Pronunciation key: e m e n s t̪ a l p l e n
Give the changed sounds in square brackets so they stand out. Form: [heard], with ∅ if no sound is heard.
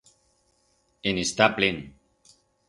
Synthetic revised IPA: e [n] e [∅] s t̪ a [∅] p l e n